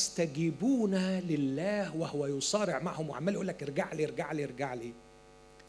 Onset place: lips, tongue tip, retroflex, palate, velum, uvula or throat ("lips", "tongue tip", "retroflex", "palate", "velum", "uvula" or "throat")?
tongue tip